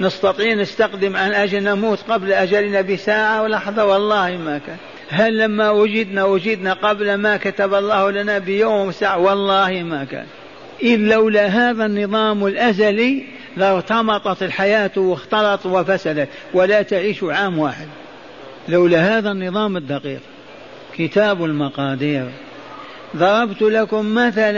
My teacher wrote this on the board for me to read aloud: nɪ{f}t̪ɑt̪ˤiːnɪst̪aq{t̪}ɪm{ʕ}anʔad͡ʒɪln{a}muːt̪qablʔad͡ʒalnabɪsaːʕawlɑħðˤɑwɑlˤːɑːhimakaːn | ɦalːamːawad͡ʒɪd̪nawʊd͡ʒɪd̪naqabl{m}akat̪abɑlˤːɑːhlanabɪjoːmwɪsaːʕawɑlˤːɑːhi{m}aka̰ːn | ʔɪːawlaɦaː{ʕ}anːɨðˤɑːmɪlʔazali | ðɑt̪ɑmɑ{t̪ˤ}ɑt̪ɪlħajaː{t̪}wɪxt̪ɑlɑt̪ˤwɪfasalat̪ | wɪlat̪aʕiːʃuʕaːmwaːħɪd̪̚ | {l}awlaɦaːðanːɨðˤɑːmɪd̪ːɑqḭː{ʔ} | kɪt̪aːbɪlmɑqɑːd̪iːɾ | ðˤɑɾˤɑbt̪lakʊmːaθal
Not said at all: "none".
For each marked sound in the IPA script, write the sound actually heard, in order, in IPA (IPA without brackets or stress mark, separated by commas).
s, d̪, ʕ, a, m, m, ð, t̪ˤ, t̪, l, q